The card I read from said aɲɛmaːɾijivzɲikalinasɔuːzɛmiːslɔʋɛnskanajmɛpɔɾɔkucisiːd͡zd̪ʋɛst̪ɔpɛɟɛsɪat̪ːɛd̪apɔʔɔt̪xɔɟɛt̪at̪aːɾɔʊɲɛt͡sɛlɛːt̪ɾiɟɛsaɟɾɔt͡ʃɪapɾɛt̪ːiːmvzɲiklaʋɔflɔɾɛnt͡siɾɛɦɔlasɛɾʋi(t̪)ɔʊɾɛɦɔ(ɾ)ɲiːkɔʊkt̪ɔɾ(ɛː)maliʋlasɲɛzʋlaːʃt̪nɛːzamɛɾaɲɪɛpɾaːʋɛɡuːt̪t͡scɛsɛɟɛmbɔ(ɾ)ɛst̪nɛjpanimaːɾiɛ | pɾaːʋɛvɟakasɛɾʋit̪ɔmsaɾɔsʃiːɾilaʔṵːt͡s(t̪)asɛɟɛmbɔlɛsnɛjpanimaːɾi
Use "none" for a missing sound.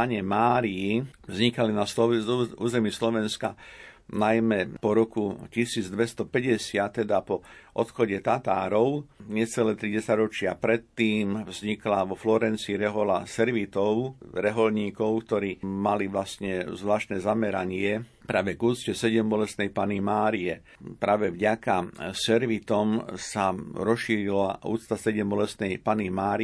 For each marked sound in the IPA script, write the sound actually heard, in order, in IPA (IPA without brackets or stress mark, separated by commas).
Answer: t̪, l, iː, l, t̪